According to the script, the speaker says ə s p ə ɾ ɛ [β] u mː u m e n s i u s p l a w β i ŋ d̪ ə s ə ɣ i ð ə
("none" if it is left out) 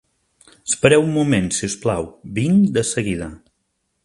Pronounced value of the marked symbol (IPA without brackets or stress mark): w